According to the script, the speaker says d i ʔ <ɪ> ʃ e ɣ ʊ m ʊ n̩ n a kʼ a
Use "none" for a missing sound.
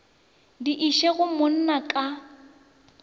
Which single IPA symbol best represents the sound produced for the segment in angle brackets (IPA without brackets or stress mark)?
i